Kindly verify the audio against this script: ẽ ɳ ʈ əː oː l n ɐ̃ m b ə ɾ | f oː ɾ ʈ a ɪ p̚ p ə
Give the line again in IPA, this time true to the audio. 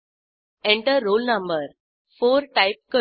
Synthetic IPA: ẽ ɳ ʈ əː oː l n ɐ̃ m b ə ɾ | f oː ɾ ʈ a ɪ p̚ k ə